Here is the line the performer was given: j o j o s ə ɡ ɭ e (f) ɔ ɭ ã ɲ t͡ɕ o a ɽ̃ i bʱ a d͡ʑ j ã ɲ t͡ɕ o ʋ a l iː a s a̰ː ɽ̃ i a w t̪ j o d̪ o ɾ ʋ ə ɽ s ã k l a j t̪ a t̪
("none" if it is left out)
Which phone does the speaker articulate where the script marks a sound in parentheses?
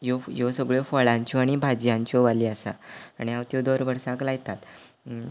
f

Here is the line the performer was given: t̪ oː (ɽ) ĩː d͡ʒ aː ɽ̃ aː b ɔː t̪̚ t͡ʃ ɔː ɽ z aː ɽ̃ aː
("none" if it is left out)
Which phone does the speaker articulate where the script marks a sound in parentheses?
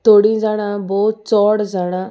ɽ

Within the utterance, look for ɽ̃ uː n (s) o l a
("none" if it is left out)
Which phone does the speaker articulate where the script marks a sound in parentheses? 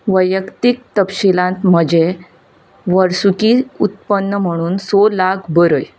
s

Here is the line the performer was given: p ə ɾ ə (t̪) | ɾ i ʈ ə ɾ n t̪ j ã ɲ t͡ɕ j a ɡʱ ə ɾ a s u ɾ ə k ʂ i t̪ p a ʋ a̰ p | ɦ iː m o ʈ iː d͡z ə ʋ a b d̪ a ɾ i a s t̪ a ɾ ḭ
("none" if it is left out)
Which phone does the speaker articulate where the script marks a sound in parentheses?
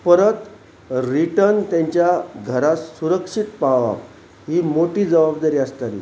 t̪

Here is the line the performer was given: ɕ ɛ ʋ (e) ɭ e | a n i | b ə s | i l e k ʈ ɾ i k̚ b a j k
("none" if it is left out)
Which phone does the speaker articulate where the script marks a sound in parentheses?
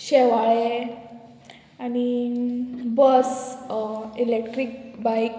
a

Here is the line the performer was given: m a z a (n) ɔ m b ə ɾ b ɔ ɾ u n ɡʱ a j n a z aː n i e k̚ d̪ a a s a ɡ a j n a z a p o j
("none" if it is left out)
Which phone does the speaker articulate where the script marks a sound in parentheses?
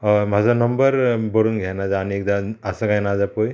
n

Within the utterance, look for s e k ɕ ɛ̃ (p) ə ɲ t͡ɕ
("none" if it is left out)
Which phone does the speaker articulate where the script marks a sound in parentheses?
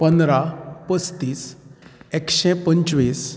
p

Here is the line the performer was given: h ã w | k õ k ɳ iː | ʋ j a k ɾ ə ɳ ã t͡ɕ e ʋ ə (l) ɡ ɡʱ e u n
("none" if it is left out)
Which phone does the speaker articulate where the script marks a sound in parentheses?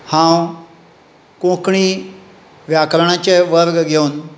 ɾ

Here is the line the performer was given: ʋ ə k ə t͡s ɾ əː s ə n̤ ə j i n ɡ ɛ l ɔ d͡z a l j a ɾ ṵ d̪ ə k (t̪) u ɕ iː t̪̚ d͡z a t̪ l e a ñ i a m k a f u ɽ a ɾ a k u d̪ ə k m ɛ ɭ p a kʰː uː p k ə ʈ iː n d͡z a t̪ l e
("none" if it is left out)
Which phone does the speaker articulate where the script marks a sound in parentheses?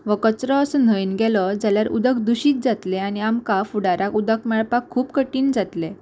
d̪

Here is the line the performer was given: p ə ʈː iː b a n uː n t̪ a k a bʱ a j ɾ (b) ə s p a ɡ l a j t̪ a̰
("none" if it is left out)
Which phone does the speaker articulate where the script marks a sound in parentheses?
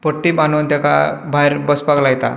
b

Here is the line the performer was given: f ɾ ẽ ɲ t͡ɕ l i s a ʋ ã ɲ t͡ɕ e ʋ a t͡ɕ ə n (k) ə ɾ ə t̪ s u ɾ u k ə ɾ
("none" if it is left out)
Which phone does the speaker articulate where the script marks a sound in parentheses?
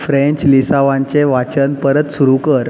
p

